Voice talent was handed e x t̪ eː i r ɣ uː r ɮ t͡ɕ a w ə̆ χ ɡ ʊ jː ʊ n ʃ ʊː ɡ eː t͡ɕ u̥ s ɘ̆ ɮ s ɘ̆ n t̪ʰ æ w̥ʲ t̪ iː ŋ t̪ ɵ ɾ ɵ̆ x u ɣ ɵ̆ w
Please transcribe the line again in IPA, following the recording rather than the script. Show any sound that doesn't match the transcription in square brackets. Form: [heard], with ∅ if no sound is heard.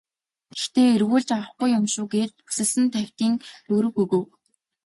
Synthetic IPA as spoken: e x t̪ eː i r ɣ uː [∅] ɮ t͡ɕ a w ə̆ χ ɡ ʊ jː ʊ [m] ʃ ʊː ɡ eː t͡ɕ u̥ s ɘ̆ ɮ s ɘ̆ n t̪ʰ æ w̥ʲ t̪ iː ŋ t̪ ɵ ɾ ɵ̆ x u ɣ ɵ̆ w

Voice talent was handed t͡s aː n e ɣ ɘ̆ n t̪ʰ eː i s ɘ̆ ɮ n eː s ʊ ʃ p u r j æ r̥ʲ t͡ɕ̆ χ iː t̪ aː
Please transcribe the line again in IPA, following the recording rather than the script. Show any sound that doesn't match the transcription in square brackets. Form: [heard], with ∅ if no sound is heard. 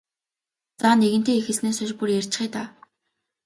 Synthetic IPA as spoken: t͡s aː n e ɣ ɘ̆ n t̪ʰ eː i [x] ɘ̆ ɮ n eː s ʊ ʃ p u r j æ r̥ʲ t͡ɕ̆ χ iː t̪ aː

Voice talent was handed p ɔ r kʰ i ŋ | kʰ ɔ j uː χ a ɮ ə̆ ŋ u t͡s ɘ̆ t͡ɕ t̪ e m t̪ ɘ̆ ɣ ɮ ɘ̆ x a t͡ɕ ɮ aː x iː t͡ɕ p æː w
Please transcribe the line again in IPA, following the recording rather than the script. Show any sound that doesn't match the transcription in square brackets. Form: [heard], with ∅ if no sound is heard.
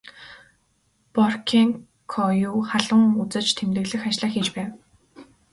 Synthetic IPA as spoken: p ɔ r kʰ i ŋ | kʰ ɔ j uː χ a ɮ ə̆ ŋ u t͡s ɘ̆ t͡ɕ [t̪ʰ] e m t̪ ɘ̆ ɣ ɮ ɘ̆ x a t͡ɕ ɮ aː x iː t͡ɕ p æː w

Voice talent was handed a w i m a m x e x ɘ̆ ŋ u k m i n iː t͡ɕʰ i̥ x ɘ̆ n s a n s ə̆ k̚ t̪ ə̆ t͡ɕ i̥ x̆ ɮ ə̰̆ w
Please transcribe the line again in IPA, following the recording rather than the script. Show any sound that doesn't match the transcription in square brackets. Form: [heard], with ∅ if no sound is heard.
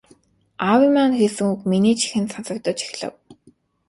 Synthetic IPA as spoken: a w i m a [n] x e [s] ɘ̆ ŋ u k m i n iː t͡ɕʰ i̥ x ɘ̆ n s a n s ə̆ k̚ t̪ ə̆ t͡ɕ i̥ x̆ ɮ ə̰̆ w

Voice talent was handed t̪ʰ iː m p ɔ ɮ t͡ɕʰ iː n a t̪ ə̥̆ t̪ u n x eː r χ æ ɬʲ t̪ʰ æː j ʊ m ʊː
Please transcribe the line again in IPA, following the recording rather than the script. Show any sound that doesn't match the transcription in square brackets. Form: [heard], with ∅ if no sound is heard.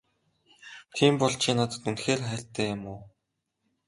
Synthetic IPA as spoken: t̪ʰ iː m p ɔ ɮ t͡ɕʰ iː n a t̪ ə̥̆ t̪ u n x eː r χ [æː] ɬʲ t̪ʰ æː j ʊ m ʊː

